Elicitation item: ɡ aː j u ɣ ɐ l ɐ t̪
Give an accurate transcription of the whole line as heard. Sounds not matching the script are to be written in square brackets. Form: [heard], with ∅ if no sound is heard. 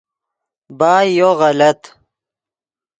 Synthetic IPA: [b] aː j [o] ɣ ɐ l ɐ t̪